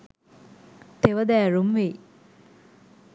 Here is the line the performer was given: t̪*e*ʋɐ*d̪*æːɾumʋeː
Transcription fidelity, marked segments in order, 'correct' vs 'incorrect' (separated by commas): correct, correct